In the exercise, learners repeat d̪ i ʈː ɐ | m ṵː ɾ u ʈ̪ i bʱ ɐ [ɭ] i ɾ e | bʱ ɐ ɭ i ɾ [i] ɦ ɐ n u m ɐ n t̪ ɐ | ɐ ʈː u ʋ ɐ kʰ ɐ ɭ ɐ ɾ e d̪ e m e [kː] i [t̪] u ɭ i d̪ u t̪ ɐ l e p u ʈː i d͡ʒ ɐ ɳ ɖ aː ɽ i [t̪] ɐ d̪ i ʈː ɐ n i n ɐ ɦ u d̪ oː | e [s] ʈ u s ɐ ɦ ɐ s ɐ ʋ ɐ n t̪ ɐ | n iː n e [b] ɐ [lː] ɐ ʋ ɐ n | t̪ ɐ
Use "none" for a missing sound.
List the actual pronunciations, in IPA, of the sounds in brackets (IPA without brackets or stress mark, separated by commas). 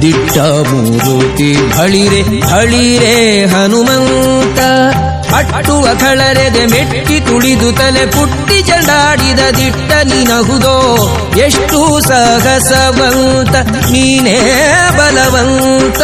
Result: ɭ, e, ʈː, t̪, d̪, ʂ, b, l